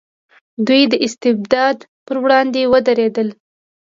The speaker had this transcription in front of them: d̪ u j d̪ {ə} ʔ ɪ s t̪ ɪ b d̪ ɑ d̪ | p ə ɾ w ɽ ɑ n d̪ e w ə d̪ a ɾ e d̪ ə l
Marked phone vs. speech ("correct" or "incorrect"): correct